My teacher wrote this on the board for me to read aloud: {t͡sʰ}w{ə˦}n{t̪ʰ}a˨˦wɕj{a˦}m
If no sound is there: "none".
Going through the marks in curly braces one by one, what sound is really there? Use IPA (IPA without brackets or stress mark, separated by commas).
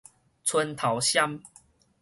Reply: t͡sʰ, ə˦, t̪ʰ, a˦